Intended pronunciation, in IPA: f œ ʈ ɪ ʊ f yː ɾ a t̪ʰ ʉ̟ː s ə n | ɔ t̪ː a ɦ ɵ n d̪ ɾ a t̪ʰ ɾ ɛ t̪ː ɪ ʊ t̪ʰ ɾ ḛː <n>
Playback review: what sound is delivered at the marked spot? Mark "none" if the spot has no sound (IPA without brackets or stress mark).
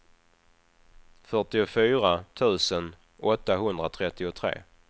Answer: none